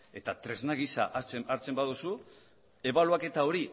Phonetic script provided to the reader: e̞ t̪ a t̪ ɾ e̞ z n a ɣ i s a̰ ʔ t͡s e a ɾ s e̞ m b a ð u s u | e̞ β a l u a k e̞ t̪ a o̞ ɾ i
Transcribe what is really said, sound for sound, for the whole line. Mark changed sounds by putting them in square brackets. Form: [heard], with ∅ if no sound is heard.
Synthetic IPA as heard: e̞ t̪ a t̪ ɾ e̞ z n a ɣ i s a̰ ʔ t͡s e a ɾ [t͡s] e̞ m b a ð u s u | e̞ β a l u a k e̞ t̪ a o̞ ɾ i

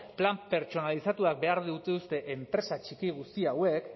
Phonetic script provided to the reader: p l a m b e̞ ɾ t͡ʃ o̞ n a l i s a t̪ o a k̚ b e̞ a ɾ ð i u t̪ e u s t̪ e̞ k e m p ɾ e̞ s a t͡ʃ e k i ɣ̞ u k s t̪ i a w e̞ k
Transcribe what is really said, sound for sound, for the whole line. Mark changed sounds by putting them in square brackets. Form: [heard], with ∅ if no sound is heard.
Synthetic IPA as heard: p l a m [p] e̞ ɾ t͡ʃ o̞ n a l i s a t̪ [u] a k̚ b e̞ a ɾ ð i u t̪ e u s t̪ e̞ [ʔ] e m p ɾ e̞ s a t͡ʃ [i] k i ɣ̞ u [∅] s t̪ i a w e̞ k

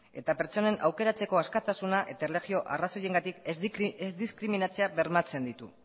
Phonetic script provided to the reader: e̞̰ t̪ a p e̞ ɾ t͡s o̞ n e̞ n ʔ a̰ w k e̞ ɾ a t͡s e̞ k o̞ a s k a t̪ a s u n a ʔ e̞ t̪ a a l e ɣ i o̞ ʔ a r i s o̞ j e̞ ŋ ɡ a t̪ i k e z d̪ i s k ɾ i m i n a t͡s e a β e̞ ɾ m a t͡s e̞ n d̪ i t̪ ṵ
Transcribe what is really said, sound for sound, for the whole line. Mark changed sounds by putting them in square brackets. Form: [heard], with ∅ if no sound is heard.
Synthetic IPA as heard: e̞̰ t̪ a p e̞ ɾ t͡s o̞ n e̞ n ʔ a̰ w k e̞ ɾ a t͡s e̞ k o̞ a s k a t̪ a s u n a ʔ e̞ t̪ a [e] l e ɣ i o̞ ʔ a r [a] s o̞ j e̞ ŋ ɡ a t̪ i k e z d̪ i s k ɾ i m i n a t͡s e a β e̞ ɾ m a t͡s e̞ n d̪ i t̪ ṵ

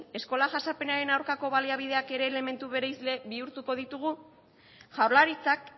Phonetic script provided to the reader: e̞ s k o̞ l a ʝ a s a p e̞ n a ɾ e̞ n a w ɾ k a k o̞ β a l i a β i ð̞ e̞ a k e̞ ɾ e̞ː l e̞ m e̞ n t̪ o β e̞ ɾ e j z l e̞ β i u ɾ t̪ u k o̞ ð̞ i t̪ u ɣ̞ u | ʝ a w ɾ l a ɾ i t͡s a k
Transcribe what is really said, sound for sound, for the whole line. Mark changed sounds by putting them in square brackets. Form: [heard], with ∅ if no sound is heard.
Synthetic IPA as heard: e̞ s k o̞ l a ʝ a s a p e̞ n a ɾ e̞ n a w ɾ k a k o̞ β a l i a β i ð̞ e̞ a k e̞ ɾ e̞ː l e̞ m e̞ n t̪ [u] β e̞ ɾ e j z l e̞ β i u ɾ t̪ u k o̞ ð̞ i t̪ u ɣ̞ u | ʝ a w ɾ l a ɾ i t͡s a k

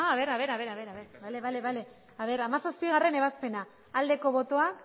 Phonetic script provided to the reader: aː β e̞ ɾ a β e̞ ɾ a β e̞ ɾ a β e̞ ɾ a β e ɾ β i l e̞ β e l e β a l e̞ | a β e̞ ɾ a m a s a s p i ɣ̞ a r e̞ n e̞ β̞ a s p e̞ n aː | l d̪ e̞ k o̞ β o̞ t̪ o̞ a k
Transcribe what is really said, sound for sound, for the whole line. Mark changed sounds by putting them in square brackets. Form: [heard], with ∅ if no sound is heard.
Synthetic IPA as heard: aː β e̞ ɾ a β e̞ ɾ a β e̞ ɾ a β e̞ ɾ a β e ɾ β [a] l e̞ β [a] l e β a l e̞ | a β e̞ ɾ a m a s a s p i ɣ̞ a r e̞ n e̞ β̞ a s p e̞ n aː | l d̪ e̞ k o̞ β o̞ t̪ o̞ a k

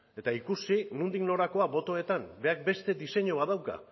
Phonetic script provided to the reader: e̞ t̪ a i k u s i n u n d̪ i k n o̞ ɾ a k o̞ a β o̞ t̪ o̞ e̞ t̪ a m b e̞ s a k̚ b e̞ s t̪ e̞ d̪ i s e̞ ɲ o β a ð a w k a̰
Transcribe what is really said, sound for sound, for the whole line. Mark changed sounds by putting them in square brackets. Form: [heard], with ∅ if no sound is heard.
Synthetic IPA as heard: e̞ t̪ a i k u s i n u n d̪ i k n o̞ ɾ a k o̞ a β o̞ t̪ o̞ e̞ t̪ a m b e̞ [∅] a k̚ b e̞ s t̪ e̞ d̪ i s e̞ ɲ o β a ð a w k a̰

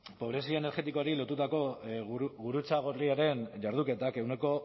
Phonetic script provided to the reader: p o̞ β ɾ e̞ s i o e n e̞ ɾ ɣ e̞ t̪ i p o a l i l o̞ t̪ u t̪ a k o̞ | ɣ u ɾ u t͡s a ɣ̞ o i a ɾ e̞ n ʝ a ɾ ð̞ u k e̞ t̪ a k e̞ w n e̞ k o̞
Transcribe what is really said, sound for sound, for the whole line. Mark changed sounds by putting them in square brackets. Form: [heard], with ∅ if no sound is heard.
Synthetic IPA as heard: p o̞ β ɾ e̞ s i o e n e̞ ɾ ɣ e̞ t̪ i [k] o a [ɾ] i l o̞ t̪ u t̪ a k o̞ | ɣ u ɾ u t͡s a ɣ̞ o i a ɾ e̞ n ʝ a ɾ ð̞ u k e̞ t̪ a k e̞ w n e̞ k o̞

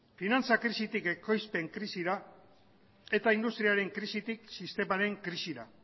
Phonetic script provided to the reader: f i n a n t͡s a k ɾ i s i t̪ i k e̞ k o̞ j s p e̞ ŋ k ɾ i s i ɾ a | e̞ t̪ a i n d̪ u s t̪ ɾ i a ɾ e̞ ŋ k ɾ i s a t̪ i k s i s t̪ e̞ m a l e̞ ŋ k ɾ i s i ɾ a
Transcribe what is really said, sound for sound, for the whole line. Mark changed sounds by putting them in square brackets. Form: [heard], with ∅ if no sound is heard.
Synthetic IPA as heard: f i n a n t͡s a k ɾ i s i t̪ i k e̞ k o̞ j s p e̞ ŋ k ɾ i s i ɾ a | e̞ t̪ a i n d̪ u s t̪ ɾ i a ɾ e̞ ŋ k ɾ i s [i] t̪ i k s i s t̪ e̞ m a [ɾ] e̞ ŋ k ɾ i s i ɾ a

